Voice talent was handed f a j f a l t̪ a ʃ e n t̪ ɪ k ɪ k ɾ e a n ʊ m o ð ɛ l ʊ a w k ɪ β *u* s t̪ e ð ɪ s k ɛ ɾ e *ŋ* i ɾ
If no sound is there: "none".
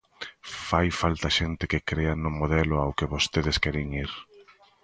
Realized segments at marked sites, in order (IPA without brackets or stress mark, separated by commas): o, ŋ